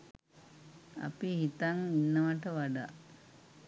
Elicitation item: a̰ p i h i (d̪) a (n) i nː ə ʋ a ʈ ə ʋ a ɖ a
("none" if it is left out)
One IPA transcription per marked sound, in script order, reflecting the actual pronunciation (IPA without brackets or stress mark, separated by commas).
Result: t̪, ŋ